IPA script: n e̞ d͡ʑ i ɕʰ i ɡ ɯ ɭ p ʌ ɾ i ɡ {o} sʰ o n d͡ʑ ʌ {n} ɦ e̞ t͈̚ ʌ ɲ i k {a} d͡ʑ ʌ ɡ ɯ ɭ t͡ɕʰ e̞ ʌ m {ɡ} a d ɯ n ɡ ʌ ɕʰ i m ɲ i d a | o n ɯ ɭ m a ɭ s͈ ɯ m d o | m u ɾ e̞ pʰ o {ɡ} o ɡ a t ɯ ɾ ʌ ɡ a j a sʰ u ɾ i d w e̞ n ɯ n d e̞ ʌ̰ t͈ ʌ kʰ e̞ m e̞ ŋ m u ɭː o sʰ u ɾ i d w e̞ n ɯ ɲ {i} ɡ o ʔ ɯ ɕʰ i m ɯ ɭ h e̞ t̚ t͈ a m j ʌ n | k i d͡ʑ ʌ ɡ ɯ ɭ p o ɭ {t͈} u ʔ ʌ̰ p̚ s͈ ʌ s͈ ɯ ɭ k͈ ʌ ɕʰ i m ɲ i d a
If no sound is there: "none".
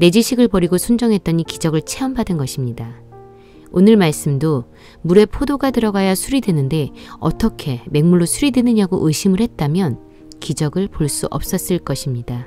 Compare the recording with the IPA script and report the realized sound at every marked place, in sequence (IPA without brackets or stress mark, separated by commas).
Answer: o, ŋ, i, b, d, a, s͈